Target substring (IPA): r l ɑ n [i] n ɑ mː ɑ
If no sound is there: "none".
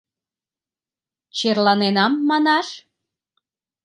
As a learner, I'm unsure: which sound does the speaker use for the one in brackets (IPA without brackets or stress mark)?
e